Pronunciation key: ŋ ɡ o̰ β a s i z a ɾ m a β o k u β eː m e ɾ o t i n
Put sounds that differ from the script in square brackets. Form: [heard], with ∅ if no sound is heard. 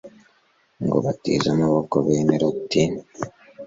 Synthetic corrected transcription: ŋ ɡ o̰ β a [t] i z a [∅] m a β o k [o] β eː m e ɾ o t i n